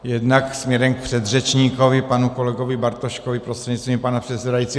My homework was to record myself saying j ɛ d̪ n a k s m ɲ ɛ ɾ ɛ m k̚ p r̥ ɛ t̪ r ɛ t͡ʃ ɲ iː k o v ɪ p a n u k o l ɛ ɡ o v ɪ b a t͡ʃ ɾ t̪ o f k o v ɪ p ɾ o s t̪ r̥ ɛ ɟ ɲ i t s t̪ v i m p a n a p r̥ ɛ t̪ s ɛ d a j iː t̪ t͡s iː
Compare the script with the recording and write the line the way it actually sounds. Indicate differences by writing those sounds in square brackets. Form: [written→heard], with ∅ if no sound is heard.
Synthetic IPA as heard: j ɛ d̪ n a k s m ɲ ɛ ɾ ɛ m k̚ p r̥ ɛ [t̪→d̪] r ɛ t͡ʃ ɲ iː k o v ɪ p a n u k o l ɛ ɡ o v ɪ b a [t͡ʃ→∅] ɾ t̪ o [f→ʃ] k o v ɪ p ɾ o s t̪ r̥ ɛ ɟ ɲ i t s t̪ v i m p a n a p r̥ ɛ t̪ s ɛ d a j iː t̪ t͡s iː